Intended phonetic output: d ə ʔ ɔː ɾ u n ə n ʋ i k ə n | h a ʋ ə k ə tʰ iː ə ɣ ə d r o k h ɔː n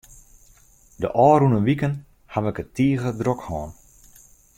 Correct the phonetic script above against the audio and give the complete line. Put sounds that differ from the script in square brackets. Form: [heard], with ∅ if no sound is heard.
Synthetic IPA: d ə ʔ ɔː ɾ u n ə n ʋ i k ə n | h a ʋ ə k ə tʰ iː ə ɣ ə d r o k h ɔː n